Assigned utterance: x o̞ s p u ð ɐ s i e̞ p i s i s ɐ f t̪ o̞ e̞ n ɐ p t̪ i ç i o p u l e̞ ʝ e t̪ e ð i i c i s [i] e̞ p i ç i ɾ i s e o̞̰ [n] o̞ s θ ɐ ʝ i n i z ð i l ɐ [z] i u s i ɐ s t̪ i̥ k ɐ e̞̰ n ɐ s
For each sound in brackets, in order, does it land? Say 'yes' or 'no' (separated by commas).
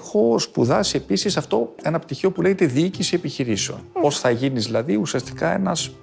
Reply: yes, yes, no